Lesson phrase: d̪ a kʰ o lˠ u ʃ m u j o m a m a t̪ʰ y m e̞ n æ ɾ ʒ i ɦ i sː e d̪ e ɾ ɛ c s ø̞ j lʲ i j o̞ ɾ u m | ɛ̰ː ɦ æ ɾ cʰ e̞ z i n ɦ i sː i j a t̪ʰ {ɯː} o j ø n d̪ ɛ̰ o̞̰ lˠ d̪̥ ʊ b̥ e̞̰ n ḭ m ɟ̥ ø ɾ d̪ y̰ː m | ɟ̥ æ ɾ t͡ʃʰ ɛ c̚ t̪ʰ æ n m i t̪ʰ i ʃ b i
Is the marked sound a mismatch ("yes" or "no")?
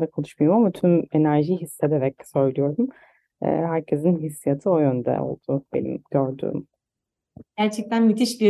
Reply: yes